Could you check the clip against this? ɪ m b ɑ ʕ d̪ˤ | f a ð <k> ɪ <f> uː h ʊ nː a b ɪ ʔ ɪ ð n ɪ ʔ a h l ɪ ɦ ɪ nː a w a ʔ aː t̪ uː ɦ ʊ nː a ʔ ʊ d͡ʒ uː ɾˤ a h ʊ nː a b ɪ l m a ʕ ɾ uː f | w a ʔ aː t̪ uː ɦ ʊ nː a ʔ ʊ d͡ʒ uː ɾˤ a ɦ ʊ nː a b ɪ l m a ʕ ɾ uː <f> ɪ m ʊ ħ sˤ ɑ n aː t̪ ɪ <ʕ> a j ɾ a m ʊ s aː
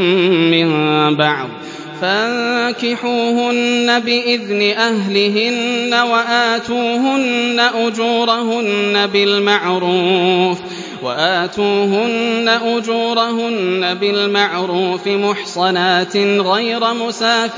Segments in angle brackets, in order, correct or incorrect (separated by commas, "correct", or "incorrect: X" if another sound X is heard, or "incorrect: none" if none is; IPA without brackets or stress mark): correct, incorrect: ħ, correct, incorrect: ɣ